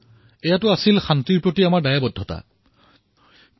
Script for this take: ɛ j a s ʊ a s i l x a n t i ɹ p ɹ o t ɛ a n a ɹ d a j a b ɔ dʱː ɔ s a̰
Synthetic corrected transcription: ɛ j a t ʊ a s i l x a n t i ɹ p ɹ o t i a m a ɹ d a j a b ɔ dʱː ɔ t a̰